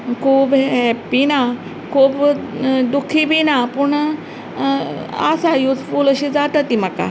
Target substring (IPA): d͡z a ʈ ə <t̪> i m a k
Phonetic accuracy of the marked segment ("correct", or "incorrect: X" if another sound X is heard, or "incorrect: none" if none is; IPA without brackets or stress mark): correct